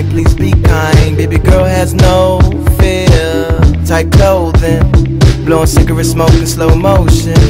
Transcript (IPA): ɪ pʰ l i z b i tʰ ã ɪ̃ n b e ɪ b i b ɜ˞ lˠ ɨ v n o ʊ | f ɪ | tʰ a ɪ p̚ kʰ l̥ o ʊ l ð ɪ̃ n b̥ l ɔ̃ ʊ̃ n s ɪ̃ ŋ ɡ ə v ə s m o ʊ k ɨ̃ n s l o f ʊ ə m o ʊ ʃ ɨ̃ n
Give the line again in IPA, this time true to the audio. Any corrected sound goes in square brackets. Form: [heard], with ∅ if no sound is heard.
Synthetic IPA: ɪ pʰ l i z b i [kʰ] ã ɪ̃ n b e ɪ b i [ɡ] ɜ˞ lˠ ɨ [z] n o ʊ | f ɪ | tʰ a ɪ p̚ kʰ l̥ o ʊ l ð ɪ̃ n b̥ l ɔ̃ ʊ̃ n s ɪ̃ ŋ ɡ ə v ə s m o ʊ k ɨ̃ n s l o [∅] ʊ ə m o ʊ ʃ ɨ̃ n